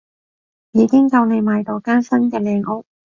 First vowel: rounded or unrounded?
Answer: unrounded